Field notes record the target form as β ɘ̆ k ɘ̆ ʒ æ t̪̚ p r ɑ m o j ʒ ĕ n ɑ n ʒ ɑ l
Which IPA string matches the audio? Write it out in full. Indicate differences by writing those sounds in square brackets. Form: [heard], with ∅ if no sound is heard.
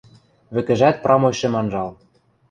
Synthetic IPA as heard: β ɘ̆ k ɘ̆ ʒ æ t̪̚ p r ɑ m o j [ʃ] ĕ [m] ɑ n ʒ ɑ l